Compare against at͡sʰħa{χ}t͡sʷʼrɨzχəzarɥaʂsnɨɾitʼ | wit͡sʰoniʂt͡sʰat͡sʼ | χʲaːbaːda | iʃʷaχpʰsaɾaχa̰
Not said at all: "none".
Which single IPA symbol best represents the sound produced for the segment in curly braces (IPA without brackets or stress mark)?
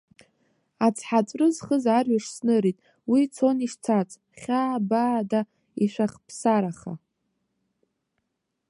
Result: none